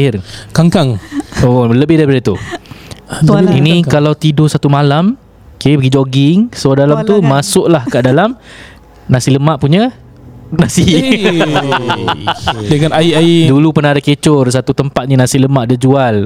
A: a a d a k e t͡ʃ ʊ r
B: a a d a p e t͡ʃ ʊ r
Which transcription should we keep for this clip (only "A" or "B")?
A